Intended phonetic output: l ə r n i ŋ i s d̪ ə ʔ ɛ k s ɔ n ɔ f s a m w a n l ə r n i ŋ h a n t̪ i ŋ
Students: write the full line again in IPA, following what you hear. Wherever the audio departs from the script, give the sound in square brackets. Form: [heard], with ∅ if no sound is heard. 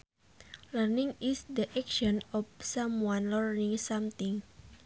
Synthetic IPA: l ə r n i ŋ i s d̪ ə ʔ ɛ k [ʃ] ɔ n ɔ f s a m w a n l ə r n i ŋ [s] a [m] t̪ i ŋ